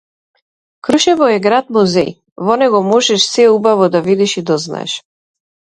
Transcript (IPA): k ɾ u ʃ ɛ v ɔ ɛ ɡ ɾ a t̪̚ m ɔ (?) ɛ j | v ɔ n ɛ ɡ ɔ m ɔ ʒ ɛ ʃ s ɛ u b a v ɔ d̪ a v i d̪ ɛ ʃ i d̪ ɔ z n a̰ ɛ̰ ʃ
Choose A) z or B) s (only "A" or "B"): A